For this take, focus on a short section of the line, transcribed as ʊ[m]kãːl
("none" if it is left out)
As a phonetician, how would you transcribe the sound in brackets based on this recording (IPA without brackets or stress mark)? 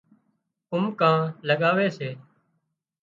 m